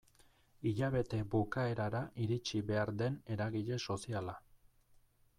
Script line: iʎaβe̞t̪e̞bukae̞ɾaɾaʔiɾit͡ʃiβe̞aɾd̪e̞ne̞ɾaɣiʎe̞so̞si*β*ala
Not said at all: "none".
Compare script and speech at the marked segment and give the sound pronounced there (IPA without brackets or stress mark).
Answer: none